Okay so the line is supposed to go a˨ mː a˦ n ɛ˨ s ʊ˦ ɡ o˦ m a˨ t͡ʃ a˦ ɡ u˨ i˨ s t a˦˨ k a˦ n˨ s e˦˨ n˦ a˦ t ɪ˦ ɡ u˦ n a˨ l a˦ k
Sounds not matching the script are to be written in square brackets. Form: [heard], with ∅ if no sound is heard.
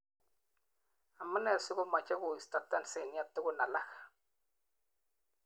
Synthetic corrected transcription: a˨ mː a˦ n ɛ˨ s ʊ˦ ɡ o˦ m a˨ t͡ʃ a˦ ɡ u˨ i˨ s t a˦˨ [t] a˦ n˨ s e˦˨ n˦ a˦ t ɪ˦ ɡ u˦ n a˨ l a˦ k